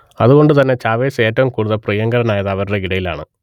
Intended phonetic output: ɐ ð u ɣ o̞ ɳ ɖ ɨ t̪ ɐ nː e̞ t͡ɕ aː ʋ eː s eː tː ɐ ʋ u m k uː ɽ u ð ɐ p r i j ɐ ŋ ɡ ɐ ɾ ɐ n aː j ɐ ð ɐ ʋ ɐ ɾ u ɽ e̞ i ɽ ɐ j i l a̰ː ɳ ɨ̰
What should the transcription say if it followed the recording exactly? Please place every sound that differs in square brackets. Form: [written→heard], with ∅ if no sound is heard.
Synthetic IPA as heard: ɐ ð u ɣ o̞ ɳ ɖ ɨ t̪ ɐ nː e̞ t͡ɕ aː ʋ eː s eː tː ɐ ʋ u m k uː ɽ u ð ɐ p r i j ɐ ŋ ɡ ɐ ɾ ɐ n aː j ɐ ð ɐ ʋ ɐ ɾ u ɽ e̞ i ɽ ɐ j i l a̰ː ɳ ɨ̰